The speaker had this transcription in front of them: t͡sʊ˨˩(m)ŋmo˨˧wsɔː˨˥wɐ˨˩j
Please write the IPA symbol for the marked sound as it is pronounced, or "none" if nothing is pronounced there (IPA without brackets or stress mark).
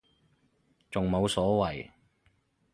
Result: none